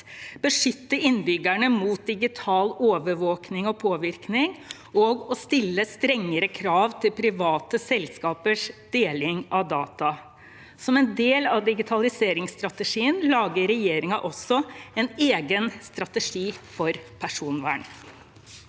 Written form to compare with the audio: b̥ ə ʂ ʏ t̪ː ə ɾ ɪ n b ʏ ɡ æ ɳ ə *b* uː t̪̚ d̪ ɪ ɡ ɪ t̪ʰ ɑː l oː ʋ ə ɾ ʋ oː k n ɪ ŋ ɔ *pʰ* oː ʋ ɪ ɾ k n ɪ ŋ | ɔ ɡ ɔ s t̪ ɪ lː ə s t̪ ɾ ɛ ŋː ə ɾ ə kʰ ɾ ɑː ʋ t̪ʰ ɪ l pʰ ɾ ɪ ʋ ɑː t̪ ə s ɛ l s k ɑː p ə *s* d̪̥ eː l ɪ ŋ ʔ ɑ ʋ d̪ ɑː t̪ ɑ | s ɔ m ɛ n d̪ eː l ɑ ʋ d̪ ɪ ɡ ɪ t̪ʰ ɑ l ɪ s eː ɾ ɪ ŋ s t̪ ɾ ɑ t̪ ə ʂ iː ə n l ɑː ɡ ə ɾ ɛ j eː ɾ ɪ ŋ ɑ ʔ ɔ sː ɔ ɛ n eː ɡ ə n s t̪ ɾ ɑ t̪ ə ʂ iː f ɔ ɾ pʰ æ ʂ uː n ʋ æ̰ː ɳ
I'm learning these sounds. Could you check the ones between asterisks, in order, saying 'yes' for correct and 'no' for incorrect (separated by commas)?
no, yes, no